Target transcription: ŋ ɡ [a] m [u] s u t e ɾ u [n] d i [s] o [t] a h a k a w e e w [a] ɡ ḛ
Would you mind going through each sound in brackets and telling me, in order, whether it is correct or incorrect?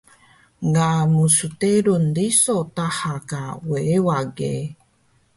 correct, correct, correct, correct, correct, correct

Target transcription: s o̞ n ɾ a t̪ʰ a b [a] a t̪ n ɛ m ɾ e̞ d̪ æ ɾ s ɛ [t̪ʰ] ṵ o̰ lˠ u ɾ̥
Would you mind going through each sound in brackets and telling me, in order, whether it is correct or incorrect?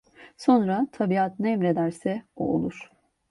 incorrect: i, incorrect: none

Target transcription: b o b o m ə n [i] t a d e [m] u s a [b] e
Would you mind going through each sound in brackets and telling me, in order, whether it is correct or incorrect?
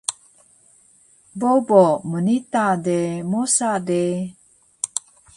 correct, correct, incorrect: d

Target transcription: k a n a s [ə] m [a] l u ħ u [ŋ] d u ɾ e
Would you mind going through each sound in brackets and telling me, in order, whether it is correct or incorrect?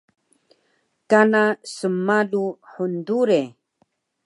correct, correct, incorrect: n

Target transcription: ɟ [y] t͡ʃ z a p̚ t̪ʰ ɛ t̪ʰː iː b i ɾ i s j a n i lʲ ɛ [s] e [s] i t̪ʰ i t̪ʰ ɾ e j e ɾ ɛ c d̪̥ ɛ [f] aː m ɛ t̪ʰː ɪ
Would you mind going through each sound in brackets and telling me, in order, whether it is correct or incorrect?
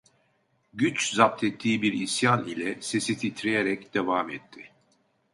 correct, correct, correct, incorrect: v

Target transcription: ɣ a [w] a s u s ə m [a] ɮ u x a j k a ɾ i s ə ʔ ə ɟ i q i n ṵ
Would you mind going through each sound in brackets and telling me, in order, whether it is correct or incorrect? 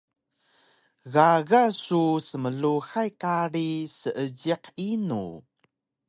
incorrect: ɣ, incorrect: ə

